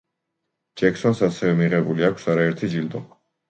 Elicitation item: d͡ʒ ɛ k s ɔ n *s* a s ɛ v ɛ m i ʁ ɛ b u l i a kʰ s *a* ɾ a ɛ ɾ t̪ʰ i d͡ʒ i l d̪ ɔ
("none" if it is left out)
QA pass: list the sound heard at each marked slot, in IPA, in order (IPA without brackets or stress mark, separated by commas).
s, a